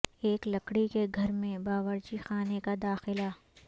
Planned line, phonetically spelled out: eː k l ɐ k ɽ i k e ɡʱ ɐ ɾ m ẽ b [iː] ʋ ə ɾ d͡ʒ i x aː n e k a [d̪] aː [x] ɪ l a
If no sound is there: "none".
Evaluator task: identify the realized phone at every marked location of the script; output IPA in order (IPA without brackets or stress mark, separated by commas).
aː, d̪, x